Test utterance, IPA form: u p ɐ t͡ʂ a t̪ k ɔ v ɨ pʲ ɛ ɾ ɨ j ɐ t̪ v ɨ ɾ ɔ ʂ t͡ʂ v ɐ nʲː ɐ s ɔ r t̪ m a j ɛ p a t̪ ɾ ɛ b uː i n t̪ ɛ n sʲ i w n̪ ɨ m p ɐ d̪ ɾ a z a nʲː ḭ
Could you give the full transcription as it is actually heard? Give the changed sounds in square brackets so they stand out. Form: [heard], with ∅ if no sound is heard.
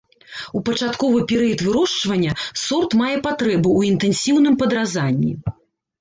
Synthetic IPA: u p ɐ t͡ʂ a t̪ k ɔ v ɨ pʲ ɛ ɾ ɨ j ɐ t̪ v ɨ ɾ ɔ ʂ t͡ʂ v ɐ nʲː ɐ s ɔ r t̪ m a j ɛ p a t̪ ɾ ɛ b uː i n t̪ ɛ n sʲ i w n̪ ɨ m p ɐ d̪ ɾ a z a nʲː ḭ

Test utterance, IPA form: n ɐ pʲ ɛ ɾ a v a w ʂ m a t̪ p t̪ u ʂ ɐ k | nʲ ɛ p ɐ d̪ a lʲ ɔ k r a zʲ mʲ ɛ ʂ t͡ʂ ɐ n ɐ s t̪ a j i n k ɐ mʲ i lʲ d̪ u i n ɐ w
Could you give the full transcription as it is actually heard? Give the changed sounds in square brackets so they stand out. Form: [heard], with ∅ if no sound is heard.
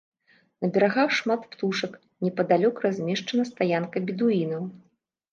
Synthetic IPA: n ɐ [bʲ] ɛ ɾ a [ɣ] a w ʂ m a t̪ p t̪ u ʂ ɐ k | nʲ ɛ p ɐ d̪ a lʲ ɔ k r a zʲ mʲ ɛ ʂ t͡ʂ ɐ n ɐ s t̪ a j [a] n k ɐ [bʲ] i [∅] d̪ u i n ɐ w

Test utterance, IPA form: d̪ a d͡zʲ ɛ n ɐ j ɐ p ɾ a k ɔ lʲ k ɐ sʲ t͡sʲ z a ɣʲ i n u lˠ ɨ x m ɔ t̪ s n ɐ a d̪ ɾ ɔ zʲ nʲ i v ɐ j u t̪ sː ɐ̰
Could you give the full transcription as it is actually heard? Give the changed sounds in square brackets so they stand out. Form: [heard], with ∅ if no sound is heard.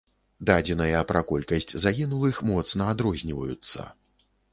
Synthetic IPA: d̪ a d͡zʲ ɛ n ɐ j ɐ p ɾ a k ɔ lʲ k ɐ sʲ t͡sʲ z a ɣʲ i n u lˠ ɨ x m ɔ t̪ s n ɐ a d̪ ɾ ɔ zʲ nʲ i v ɐ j u t̪ sː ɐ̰

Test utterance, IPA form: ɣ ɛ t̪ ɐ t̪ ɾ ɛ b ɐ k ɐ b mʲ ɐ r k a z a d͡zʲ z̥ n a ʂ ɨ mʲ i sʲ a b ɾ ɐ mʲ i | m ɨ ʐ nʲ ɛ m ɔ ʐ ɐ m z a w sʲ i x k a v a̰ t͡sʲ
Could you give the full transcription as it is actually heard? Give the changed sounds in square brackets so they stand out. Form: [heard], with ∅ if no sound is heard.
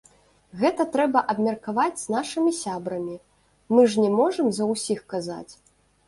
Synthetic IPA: ɣ ɛ t̪ ɐ t̪ ɾ ɛ b ɐ [ʔ] ɐ b mʲ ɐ r k a [v] a d͡zʲ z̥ n a ʂ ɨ mʲ i sʲ a b ɾ ɐ mʲ i | m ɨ ʐ nʲ ɛ m ɔ ʐ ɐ m z [ɐ] w sʲ i x k a [z] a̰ t͡sʲ

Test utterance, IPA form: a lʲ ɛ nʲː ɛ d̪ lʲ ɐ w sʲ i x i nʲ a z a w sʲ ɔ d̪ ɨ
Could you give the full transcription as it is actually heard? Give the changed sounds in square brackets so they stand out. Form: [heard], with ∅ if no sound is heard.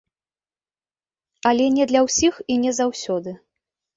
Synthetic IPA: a lʲ ɛ [nʲ] ɛ d̪ lʲ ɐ w sʲ i x i nʲ [ɛ] z a w sʲ ɔ d̪ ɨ

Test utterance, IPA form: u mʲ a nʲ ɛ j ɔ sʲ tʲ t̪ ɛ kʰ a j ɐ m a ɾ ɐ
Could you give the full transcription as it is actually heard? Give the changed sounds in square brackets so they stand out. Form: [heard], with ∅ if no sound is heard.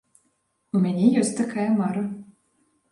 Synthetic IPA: u mʲ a nʲ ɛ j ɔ sʲ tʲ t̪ [a] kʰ a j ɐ m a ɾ ɐ

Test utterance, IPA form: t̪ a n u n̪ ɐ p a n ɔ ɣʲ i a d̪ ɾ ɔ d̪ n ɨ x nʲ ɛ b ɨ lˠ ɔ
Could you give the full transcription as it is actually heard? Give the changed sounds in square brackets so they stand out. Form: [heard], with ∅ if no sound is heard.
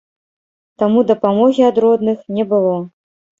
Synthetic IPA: t̪ a [m] u [d̪] ɐ p a [m] ɔ ɣʲ i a d̪ ɾ ɔ d̪ n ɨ x nʲ ɛ b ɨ lˠ ɔ

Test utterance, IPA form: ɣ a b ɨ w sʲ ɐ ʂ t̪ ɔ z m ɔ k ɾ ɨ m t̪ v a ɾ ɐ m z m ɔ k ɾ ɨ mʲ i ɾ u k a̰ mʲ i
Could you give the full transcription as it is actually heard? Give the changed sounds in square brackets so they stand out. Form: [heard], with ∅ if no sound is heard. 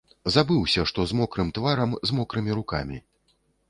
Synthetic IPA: [z] a b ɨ w sʲ ɐ ʂ t̪ ɔ z m ɔ k ɾ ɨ m t̪ v a ɾ ɐ m z m ɔ k ɾ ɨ mʲ i ɾ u k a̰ mʲ i

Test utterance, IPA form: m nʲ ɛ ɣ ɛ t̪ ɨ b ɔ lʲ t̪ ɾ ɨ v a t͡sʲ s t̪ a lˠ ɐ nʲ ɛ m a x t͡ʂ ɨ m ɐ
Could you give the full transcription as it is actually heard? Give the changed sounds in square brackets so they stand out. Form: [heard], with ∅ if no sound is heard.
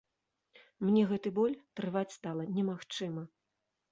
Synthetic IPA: m nʲ ɛ ɣ ɛ t̪ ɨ b ɔ lʲ t̪ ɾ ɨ v a t͡sʲ s t̪ a lˠ ɐ nʲ ɛ m a x t͡ʂ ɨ m ɐ

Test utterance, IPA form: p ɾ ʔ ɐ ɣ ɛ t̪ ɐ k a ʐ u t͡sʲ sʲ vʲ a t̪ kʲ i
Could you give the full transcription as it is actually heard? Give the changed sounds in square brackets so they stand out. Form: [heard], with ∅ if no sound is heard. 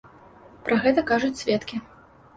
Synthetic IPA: p ɾ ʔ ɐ ɣ ɛ t̪ ɐ k a ʐ u t͡sʲ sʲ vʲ [ɛ] t̪ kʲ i

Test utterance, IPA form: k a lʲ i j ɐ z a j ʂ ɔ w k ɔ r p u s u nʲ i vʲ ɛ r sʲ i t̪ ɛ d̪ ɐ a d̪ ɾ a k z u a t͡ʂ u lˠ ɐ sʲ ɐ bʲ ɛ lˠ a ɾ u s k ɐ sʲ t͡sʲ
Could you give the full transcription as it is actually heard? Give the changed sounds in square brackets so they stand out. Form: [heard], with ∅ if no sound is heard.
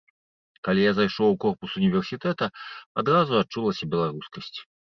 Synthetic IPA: k a lʲ i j [a] z a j ʂ ɔ w k ɔ r p u s u nʲ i vʲ ɛ r sʲ i t̪ ɛ [t̪] ɐ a d̪ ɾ a [∅] z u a t͡ʂ u lˠ ɐ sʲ ɐ bʲ ɛ lˠ a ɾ u s k ɐ sʲ t͡sʲ

